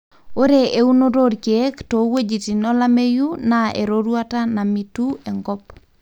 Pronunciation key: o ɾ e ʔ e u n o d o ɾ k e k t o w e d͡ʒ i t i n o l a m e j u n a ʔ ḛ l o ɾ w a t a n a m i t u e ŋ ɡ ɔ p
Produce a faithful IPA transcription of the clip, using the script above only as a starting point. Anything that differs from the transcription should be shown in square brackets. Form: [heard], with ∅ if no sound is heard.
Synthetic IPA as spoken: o ɾ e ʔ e u n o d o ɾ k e k t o w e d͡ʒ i t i n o l a m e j u n a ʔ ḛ [ɾ] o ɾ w a t a n a m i t u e ŋ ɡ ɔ p